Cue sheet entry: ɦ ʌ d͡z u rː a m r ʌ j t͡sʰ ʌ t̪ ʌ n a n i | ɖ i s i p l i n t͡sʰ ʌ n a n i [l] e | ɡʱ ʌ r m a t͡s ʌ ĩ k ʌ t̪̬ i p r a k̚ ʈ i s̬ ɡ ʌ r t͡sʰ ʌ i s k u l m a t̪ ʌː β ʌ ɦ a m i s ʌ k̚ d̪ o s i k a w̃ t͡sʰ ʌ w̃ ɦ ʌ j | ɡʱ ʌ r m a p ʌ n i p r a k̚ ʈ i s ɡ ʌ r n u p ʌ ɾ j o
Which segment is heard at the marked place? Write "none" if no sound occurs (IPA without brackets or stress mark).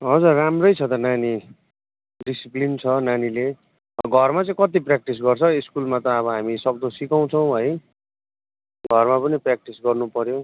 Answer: l